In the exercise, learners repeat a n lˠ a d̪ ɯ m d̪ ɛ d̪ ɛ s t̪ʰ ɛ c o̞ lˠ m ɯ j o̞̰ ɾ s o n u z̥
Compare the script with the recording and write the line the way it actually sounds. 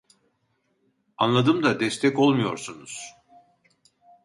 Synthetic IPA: a n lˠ a d̪ ɯ m d̪ a d̪ ɛ s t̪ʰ ɛ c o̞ lˠ m u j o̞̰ ɾ s u n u z̥